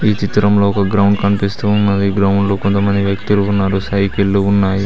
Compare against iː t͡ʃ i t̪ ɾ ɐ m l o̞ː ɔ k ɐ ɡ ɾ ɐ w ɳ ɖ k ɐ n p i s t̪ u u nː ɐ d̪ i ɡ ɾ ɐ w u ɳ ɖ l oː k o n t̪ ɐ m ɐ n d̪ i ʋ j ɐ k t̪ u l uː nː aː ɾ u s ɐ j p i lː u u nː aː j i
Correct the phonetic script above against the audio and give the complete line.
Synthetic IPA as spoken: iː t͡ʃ i t̪ ɾ ɐ m l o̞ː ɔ k ɐ ɡ ɾ ɐ w ɳ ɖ k ɐ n p i s t̪ u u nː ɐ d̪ i ɡ ɾ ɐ w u ɳ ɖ l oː k o n t̪ ɐ m ɐ n d̪ i ʋ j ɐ k t̪ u l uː nː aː ɾ u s ɐ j k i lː u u nː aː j i